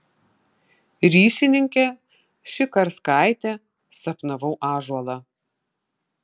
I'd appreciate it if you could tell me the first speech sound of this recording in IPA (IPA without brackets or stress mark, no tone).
ɾʲ